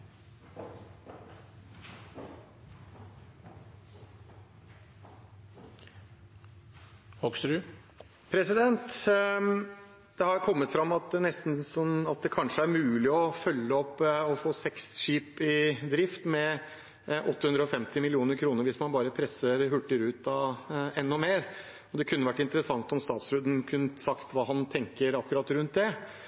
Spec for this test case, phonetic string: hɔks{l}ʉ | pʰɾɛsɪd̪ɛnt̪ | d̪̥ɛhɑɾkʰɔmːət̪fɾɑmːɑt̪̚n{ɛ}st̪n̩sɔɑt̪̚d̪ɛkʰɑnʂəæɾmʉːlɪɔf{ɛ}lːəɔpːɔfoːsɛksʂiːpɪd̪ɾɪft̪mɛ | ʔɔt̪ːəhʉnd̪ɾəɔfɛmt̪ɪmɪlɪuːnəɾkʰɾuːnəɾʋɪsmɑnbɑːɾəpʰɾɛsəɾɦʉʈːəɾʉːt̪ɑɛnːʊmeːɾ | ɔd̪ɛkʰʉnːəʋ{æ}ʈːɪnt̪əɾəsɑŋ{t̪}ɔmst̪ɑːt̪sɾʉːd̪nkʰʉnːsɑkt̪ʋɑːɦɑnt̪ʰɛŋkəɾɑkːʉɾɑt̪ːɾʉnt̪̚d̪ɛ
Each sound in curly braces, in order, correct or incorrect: incorrect, correct, incorrect, correct, correct

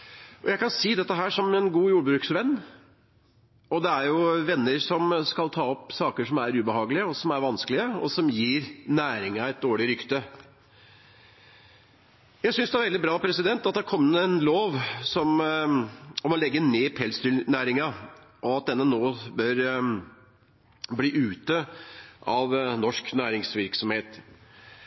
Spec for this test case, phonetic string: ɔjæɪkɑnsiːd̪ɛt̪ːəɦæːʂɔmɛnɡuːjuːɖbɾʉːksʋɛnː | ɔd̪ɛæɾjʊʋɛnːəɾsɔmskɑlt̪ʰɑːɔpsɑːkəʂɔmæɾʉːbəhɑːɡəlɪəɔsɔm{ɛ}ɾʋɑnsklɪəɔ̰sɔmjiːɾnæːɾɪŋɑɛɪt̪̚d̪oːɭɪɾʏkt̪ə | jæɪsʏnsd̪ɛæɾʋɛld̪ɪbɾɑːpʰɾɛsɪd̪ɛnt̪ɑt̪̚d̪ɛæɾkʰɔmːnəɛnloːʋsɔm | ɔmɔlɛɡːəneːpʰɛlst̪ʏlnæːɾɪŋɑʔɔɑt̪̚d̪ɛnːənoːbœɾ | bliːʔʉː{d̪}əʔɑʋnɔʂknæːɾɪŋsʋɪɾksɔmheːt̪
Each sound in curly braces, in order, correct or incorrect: incorrect, incorrect

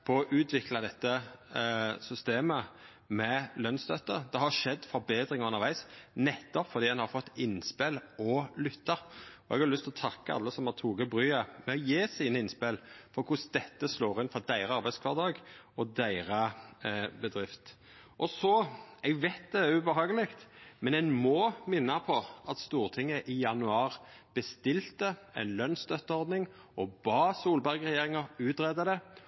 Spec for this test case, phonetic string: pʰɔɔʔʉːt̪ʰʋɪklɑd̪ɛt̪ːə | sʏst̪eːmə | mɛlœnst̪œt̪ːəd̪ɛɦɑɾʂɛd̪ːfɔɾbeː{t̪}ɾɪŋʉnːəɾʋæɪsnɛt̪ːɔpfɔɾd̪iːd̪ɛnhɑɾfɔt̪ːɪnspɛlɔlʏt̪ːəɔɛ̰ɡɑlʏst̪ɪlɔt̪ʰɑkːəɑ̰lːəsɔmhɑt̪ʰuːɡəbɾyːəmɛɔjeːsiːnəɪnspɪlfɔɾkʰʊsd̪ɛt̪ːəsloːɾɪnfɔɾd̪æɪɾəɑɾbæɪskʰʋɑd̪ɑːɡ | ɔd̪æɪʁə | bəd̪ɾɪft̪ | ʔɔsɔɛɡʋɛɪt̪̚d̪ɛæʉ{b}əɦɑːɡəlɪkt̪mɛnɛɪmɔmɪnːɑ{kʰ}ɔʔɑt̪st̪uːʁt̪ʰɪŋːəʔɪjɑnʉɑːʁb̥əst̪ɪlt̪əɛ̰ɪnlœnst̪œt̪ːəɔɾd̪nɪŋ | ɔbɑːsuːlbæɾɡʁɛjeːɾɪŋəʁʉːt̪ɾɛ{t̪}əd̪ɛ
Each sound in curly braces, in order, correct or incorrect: incorrect, correct, incorrect, incorrect

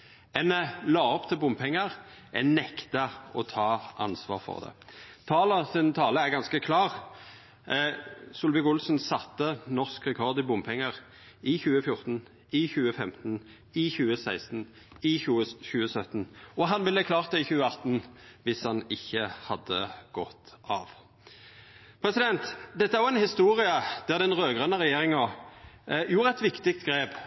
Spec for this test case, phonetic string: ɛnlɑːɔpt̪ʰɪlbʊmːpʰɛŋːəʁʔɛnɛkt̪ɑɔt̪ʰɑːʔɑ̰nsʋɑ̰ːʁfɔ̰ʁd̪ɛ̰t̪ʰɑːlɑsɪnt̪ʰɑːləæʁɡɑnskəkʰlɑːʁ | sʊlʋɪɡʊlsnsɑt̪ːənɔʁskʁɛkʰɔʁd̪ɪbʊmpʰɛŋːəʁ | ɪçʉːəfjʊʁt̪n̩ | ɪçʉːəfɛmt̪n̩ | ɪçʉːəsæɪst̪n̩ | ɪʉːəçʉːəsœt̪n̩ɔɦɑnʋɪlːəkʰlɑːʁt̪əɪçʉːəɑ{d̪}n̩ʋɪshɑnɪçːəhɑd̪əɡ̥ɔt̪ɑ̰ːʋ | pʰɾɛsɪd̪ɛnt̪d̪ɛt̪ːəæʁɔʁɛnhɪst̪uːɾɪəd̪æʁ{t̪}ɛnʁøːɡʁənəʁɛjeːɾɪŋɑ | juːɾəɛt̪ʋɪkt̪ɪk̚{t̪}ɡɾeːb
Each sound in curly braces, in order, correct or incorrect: incorrect, incorrect, correct

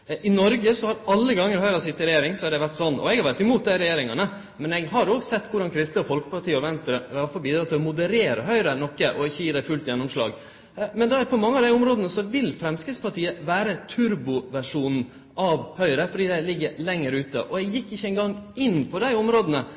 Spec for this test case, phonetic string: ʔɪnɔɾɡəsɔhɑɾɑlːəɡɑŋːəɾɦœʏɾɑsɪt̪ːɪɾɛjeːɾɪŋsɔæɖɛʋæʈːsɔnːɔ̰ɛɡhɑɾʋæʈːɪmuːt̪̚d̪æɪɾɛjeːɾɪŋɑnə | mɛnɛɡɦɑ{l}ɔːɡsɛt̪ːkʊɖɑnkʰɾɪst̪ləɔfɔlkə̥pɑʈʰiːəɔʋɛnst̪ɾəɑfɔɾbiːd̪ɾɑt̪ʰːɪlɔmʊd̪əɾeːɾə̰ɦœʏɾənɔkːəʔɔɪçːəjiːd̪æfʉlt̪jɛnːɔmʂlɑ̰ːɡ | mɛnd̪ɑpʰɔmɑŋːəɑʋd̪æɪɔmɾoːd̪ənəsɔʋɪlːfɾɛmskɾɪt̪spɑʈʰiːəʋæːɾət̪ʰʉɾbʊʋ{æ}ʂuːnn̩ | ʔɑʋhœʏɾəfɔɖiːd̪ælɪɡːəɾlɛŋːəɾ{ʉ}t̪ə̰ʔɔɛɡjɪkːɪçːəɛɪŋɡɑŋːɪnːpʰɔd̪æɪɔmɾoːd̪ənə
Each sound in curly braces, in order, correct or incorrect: incorrect, correct, incorrect

